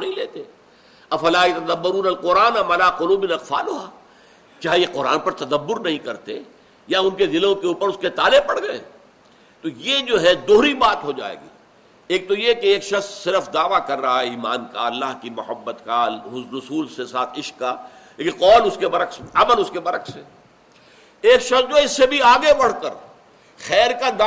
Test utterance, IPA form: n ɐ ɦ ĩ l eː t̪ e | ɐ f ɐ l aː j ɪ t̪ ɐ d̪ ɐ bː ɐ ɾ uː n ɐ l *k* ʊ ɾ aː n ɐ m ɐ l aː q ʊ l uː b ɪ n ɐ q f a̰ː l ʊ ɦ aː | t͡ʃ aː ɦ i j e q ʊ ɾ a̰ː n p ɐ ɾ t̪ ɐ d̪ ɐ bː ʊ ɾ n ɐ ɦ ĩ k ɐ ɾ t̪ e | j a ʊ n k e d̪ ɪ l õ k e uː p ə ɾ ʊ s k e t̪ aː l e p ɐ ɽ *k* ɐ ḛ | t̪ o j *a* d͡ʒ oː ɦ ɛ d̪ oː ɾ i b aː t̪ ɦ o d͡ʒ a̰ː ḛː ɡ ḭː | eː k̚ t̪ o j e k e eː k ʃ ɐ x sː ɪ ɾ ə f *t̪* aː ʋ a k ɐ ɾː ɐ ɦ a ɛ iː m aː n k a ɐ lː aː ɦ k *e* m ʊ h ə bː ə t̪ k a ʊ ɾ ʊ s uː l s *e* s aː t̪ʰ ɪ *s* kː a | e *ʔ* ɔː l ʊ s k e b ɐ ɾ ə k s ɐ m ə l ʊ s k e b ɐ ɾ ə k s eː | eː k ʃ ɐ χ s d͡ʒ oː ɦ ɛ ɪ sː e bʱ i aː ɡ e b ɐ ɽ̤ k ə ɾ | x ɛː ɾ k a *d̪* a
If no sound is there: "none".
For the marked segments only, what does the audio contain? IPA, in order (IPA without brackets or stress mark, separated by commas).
q, ɡ, e, d̪, i, e, ʃ, q, d̪